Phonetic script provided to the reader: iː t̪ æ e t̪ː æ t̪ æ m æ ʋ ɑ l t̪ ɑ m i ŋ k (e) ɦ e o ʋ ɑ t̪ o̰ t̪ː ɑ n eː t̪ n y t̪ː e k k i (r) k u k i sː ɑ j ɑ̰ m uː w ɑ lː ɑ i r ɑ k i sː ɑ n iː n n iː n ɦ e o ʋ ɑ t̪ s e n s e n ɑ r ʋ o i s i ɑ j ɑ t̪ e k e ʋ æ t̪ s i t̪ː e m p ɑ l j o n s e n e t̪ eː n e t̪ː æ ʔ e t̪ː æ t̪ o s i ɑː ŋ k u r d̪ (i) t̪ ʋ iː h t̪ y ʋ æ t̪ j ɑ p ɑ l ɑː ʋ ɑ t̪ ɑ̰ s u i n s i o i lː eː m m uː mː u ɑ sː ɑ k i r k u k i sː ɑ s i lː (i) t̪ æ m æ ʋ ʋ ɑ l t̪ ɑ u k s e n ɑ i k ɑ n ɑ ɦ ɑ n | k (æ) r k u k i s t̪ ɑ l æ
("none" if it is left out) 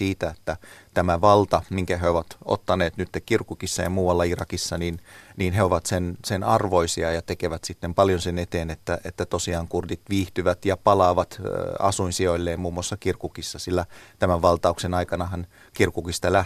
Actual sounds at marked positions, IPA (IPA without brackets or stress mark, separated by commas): æ, r, i, æ, i